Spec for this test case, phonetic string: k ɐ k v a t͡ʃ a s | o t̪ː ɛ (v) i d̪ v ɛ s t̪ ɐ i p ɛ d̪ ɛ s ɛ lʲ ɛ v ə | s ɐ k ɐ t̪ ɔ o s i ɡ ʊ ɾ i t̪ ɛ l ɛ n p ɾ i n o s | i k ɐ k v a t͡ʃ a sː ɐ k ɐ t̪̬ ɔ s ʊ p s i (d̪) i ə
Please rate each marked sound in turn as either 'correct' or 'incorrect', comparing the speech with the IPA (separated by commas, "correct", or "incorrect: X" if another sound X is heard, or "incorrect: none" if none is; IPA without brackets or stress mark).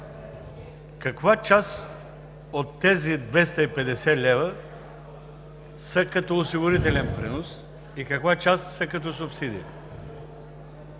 incorrect: z, correct